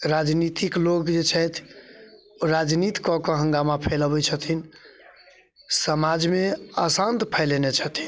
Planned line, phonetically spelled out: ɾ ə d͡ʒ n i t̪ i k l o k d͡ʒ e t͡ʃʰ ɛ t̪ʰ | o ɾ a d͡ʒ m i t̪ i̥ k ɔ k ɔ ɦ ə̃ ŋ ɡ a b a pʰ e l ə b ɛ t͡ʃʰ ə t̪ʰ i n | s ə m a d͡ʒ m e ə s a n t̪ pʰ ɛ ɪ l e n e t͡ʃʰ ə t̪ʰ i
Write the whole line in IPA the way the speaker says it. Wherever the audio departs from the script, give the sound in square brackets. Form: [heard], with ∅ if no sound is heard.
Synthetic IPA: ɾ [a] d͡ʒ n i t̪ i k l o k d͡ʒ e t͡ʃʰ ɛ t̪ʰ | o ɾ a d͡ʒ [n] i t̪ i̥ k ɔ k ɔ ɦ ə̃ ŋ ɡ a [m] a pʰ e l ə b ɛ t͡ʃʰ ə t̪ʰ i n | s ə m a d͡ʒ m e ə s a n t̪ pʰ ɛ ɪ l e n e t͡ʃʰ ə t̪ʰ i